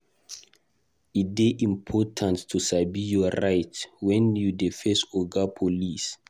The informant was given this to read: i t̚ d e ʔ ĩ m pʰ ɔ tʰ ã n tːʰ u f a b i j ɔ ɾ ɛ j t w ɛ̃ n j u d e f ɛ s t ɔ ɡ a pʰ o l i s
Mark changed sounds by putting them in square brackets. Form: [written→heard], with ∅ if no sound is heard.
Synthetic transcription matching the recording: i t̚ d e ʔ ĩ m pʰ ɔ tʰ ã n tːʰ u [f→s] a b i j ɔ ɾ [ɛ→a] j t w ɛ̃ n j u d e f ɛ s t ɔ ɡ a pʰ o l i s